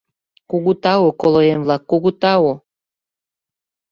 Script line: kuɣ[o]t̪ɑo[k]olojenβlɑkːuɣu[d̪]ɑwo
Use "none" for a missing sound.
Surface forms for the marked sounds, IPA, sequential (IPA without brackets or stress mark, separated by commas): u, k, t̪